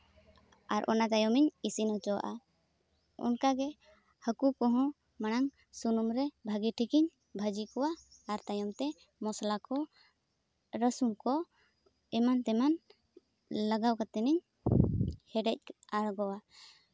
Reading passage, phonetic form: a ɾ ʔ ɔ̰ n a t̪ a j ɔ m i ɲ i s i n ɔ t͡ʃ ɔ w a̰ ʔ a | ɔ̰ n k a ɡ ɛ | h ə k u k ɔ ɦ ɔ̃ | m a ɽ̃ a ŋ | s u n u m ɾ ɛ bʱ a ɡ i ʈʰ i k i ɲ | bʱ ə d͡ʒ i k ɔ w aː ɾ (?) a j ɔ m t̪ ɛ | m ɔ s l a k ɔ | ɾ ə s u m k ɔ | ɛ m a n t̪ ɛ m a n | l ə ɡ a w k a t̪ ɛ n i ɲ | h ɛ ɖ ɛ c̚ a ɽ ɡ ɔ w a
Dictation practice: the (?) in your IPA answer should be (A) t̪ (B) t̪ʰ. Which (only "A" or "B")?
A